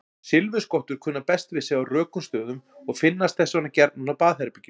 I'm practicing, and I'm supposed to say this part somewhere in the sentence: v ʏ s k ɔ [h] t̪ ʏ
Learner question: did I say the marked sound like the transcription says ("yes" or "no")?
yes